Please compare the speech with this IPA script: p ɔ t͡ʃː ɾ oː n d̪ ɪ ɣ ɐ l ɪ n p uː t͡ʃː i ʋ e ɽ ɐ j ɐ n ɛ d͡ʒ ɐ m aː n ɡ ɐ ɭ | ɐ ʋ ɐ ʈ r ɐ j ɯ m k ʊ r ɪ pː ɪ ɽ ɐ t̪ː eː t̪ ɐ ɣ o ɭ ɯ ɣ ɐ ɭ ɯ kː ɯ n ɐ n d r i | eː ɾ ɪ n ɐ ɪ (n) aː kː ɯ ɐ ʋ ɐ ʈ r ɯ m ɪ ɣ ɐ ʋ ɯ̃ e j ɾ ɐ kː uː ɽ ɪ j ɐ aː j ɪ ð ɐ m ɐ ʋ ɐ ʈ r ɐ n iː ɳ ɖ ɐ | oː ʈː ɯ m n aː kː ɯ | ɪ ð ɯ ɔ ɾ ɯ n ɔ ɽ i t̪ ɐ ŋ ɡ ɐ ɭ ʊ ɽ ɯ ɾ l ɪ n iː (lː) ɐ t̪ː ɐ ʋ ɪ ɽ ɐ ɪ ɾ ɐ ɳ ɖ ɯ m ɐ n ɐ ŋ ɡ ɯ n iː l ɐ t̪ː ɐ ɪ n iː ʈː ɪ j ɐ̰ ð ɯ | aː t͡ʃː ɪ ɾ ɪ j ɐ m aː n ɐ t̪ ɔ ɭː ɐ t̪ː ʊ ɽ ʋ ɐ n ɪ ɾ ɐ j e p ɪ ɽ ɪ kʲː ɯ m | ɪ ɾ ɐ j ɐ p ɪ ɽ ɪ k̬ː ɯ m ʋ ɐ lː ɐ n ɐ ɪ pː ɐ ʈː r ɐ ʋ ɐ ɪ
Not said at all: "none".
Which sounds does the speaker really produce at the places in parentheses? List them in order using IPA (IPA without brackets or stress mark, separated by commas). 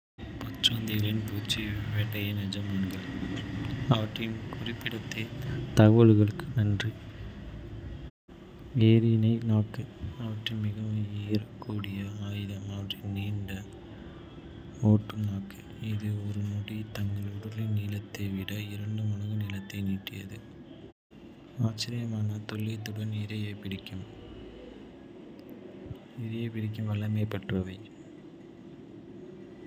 n, l